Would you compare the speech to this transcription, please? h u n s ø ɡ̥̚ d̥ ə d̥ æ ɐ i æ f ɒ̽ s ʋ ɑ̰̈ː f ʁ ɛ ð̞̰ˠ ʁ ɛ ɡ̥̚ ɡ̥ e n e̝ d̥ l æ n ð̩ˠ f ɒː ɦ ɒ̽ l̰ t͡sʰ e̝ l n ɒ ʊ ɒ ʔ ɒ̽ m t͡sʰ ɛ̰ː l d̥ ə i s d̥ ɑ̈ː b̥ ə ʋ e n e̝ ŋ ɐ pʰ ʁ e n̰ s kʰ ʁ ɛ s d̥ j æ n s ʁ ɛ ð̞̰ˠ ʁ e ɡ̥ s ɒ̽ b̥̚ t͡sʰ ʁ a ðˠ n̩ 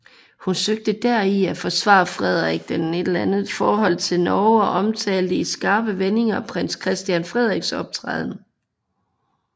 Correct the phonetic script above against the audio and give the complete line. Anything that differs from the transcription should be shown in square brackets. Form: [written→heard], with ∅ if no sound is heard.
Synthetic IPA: h u n s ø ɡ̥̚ d̥ ə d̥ æ ɐ i æ f ɒ̽ s ʋ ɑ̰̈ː f ʁ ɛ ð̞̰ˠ ʁ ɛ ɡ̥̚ [ɡ̥→d̥] e n e̝ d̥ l æ n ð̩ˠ f ɒː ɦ ɒ̽ l̰ t͡sʰ e̝ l n ɒ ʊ ɒ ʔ ɒ̽ m t͡sʰ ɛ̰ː l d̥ ə i s [d̥→ɡ̥] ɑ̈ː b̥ ə ʋ e n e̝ ŋ ɐ pʰ ʁ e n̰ s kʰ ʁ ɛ s d̥ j æ n [s→f] ʁ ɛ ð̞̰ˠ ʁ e ɡ̥ s ɒ̽ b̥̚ t͡sʰ ʁ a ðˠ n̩